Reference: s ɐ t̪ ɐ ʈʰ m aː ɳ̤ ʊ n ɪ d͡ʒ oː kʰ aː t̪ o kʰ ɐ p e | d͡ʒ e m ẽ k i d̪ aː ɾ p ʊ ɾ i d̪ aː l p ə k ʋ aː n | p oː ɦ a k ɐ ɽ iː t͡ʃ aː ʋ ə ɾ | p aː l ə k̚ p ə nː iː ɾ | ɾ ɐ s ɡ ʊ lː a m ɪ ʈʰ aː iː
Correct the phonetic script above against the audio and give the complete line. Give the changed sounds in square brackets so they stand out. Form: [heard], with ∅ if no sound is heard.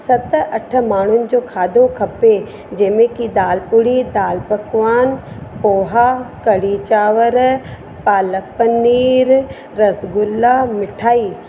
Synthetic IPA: s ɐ t̪ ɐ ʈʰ m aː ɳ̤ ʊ n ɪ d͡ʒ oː kʰ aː [d̪] o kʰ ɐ p e | d͡ʒ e m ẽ k i d̪ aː [l] p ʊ [ɽ] i d̪ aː l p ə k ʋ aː n | p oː ɦ a k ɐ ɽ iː t͡ʃ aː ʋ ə ɾ | p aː l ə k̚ p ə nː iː ɾ | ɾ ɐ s ɡ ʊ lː a m ɪ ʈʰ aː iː

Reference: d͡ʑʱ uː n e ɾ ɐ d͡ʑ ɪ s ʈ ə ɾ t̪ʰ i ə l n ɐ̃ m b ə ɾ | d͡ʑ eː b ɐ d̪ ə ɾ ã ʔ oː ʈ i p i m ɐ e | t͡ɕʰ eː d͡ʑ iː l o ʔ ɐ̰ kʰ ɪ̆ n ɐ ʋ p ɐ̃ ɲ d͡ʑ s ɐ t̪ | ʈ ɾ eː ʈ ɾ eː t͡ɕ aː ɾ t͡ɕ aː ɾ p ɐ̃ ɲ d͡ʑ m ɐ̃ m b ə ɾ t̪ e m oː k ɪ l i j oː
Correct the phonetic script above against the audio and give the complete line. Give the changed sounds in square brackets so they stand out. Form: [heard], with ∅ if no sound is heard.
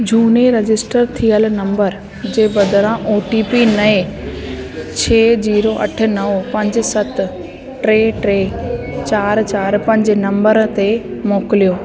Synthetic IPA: d͡ʑʱ uː n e ɾ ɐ d͡ʑ ɪ s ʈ ə ɾ t̪ʰ i ə l n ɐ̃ m b ə ɾ | d͡ʑ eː b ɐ d̪ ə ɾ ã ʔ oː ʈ i p i [n] ɐ e | t͡ɕʰ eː d͡ʑ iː [ɾ] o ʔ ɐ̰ [ʈʰ] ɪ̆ n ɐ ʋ p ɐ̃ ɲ d͡ʑ s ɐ t̪ | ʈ ɾ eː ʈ ɾ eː t͡ɕ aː ɾ t͡ɕ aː ɾ p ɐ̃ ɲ d͡ʑ [n] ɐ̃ m b ə ɾ t̪ e m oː k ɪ l i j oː

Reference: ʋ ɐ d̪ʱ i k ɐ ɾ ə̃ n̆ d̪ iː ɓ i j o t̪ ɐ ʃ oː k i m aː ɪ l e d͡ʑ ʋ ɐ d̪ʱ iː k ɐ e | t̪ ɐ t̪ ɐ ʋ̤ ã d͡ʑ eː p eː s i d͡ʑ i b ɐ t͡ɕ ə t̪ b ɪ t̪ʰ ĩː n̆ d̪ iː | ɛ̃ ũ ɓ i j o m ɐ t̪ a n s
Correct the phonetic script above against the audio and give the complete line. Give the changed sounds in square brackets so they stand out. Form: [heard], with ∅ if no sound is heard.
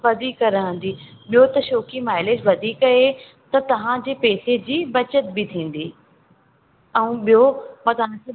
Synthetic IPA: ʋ ɐ d̪ʱ i k ɐ ɾ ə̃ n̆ d̪ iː ɓ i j o t̪ ɐ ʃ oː k i m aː ɪ l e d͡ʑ ʋ ɐ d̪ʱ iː k ɐ e | t̪ ɐ t̪ ɐ ʋ̤ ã d͡ʑ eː p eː s [e] d͡ʑ [iː] b ɐ t͡ɕ ə t̪ b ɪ t̪ʰ ĩː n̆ d̪ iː | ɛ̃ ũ ɓ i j o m ɐ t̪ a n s

